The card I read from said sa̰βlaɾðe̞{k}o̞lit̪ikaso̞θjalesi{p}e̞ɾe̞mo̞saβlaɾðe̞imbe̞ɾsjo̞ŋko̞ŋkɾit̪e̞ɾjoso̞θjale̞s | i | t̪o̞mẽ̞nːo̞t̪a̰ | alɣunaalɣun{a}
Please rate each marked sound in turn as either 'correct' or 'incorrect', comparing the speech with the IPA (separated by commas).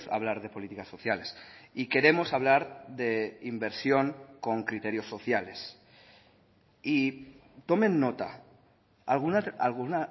incorrect, incorrect, correct